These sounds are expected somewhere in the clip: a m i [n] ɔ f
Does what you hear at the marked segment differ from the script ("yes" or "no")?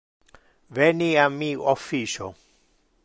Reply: yes